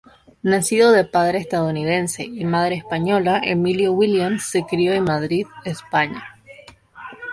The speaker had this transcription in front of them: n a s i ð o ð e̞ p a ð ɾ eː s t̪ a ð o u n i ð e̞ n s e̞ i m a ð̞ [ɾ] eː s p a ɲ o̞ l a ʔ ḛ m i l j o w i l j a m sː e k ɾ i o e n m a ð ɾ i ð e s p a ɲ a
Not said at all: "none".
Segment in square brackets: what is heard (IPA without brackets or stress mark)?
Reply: ɾ